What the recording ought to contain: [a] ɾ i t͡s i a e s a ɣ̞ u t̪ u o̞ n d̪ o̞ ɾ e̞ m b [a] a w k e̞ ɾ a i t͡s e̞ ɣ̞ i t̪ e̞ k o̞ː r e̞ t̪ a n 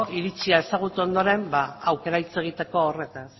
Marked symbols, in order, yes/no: no, yes

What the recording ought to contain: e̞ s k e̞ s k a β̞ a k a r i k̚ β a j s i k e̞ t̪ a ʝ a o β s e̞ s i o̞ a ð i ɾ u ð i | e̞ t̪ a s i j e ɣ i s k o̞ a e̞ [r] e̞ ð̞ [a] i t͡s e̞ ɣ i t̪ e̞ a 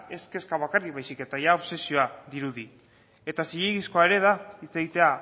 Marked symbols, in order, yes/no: no, yes

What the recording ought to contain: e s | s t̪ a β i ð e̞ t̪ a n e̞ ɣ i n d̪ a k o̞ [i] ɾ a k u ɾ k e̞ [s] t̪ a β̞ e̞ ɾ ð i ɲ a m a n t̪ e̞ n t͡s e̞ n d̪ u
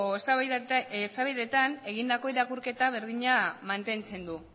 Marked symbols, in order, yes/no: yes, no

